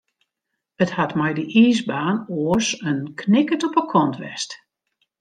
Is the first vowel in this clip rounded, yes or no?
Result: no